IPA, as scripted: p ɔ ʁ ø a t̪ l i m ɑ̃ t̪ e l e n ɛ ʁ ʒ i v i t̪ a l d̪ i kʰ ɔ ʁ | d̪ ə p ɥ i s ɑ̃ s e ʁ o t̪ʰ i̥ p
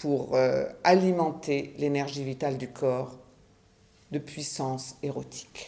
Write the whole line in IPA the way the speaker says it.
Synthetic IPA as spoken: p u ʁ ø a l i m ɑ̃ t̪ e l e n ɛ ʁ ʒ i v i t̪ a l d̪ y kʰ ɔ ʁ | d̪ ə p ɥ i s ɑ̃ s e ʁ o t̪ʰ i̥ k

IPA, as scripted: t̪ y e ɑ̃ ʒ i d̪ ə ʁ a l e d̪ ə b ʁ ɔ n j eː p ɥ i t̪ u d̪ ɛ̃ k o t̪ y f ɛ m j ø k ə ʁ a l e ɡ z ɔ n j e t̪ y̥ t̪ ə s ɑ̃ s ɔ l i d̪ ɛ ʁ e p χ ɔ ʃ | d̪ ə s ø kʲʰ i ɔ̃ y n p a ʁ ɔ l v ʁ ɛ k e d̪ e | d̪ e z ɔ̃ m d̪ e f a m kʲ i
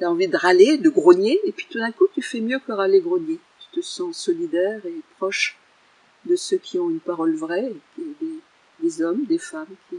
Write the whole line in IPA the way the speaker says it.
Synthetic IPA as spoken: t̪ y a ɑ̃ v i d̪ ə ʁ a l e d̪ ə ɡ ʁ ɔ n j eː p ɥ i t̪ u d̪ ɛ̃ k u t̪ y f ɛ m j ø k ə ʁ a l e ɡ ʁ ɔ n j e t̪ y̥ t̪ ə s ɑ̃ s ɔ l i d̪ ɛ ʁ e p χ ɔ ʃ | d̪ ə s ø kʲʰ i ɔ̃ y n p a ʁ ɔ l v ʁ ɛ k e d̪ e | d̪ e z ɔ m d̪ e f a m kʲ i

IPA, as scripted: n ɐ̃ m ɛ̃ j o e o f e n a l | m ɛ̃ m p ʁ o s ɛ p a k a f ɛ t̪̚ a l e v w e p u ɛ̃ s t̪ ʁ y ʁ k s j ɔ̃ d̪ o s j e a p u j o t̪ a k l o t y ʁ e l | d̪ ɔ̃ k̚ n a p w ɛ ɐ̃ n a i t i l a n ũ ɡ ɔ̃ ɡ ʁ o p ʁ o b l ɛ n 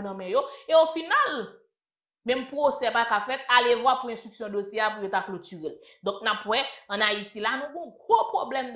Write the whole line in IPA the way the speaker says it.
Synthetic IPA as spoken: n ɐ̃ m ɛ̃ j o e o f i n a l | m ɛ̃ m p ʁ o s ɛ p a k a f ɛ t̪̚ a l e v w a p u ɛ̃ s t̪ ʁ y k s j ɔ̃ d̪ o s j e a p u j o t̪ a k l o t y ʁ e l | d̪ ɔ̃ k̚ n a p w ɛ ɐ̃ n a i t i l a n ũ ɡ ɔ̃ ɡ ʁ o p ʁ o b l ɛ m

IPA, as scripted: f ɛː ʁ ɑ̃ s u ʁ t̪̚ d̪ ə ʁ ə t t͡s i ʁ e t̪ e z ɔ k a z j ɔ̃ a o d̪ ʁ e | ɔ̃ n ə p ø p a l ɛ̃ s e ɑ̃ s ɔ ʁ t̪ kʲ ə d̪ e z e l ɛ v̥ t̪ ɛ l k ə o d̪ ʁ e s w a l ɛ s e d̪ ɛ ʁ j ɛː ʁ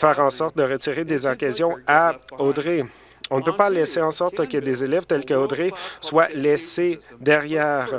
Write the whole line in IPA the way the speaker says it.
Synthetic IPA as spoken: f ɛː ʁ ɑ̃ s ɔ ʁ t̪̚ d̪ ə ʁ ə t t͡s i ʁ e d̪ e z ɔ k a z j ɔ̃ a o d̪ ʁ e | ɔ̃ n ə p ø p a l ɛ s e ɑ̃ s ɔ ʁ t̪ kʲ ə d̪ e z e l ɛ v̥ t̪ ɛ l k ə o d̪ ʁ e s w a l ɛ s e d̪ ɛ ʁ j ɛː ʁ

